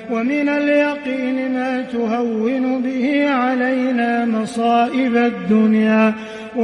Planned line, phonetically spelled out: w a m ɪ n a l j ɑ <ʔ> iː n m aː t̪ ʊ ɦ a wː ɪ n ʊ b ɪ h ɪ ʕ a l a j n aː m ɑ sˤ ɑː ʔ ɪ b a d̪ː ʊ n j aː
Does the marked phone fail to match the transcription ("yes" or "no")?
yes